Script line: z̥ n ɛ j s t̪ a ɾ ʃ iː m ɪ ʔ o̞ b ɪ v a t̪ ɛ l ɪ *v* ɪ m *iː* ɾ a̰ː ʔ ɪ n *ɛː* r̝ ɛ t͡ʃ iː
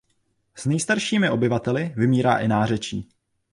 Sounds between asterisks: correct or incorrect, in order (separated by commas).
correct, correct, incorrect